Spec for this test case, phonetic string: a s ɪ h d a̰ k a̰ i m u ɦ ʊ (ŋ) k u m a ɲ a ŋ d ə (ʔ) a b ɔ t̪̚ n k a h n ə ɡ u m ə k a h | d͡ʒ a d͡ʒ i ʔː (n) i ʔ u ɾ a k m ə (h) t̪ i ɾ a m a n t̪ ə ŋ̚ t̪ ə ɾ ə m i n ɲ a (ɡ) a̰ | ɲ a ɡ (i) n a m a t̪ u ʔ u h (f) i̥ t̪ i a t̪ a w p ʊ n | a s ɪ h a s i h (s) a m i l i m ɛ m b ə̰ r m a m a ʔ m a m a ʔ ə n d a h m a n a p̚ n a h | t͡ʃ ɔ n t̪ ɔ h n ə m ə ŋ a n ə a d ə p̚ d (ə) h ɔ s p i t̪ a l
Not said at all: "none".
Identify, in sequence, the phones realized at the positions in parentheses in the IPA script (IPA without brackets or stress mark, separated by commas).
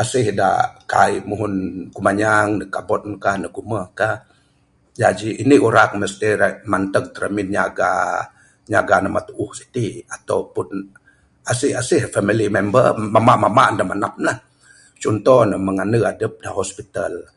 n, k, n, s, ɡ, a, s, f, a